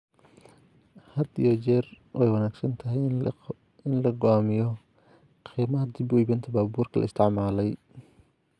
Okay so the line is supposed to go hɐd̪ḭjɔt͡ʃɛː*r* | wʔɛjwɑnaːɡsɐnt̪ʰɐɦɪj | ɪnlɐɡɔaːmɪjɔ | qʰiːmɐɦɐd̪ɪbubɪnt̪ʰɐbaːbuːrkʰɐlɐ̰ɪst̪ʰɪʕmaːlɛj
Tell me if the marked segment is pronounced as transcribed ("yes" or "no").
yes